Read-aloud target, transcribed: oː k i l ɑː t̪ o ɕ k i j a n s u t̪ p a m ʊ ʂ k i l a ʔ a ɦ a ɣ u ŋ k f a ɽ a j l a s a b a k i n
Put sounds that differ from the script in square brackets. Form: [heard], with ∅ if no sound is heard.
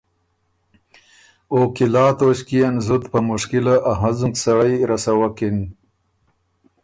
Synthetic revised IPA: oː k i l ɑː t̪ o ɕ k i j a n [z] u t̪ p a m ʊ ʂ k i l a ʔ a ɦ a [z] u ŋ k [s] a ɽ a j [ɾ] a s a [w] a k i n